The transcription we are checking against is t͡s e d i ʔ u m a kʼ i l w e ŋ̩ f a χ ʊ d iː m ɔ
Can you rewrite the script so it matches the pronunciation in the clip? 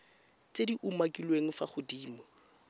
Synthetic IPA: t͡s e d i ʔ u m a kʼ i l w e ŋ̩ f a χ ʊ d iː m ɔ